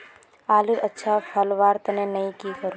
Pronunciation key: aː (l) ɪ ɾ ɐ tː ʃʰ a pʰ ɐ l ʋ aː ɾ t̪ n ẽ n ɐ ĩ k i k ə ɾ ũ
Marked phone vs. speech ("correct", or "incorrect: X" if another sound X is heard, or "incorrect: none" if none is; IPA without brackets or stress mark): correct